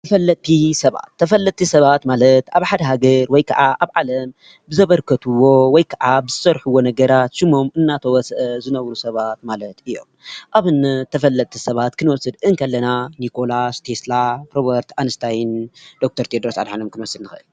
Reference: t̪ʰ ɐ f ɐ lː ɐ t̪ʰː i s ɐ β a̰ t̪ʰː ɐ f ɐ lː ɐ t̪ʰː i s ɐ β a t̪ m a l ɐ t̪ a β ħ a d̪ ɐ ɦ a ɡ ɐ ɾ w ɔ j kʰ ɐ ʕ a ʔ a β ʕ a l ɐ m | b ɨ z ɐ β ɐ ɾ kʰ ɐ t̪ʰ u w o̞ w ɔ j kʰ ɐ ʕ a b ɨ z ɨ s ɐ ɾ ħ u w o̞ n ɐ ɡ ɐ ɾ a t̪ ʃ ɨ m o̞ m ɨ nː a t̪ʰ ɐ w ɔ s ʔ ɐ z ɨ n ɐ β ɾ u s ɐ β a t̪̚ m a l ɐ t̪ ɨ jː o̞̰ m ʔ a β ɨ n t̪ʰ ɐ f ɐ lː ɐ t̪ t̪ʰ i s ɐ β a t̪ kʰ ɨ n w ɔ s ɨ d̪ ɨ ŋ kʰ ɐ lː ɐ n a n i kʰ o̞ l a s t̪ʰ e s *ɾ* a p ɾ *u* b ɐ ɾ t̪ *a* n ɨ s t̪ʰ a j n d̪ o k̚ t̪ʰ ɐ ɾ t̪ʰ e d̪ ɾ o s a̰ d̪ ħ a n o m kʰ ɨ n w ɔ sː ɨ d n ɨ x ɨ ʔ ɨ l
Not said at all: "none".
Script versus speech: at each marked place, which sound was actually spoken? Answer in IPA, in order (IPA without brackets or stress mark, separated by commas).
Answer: l, o, a